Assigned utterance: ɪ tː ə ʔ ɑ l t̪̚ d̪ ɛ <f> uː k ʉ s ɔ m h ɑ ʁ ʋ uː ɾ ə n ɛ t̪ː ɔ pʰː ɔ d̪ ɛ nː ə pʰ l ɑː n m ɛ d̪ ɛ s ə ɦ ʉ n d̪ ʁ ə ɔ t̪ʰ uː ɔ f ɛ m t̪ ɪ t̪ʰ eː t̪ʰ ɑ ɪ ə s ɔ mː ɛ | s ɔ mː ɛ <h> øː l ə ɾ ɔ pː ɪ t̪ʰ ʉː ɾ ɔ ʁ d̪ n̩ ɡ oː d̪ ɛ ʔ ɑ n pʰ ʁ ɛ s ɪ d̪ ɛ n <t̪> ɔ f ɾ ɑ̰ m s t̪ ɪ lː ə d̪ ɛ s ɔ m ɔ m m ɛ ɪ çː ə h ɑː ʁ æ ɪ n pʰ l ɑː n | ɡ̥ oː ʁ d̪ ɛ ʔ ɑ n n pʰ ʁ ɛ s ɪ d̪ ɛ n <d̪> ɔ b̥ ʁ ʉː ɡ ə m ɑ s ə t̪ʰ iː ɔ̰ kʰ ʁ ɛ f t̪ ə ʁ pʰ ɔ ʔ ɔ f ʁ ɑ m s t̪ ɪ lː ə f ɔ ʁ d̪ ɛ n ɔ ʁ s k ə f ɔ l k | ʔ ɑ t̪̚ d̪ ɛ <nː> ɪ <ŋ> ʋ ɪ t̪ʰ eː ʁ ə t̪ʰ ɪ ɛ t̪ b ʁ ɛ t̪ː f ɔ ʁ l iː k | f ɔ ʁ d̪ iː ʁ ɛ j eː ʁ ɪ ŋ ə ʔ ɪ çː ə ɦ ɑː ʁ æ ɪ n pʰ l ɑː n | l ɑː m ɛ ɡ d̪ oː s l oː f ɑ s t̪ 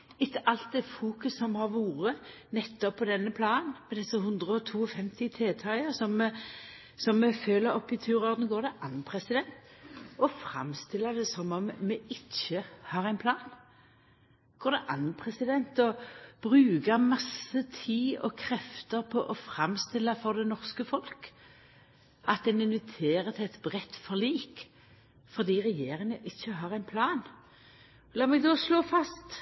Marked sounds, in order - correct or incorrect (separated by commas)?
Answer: correct, incorrect, correct, incorrect, incorrect, incorrect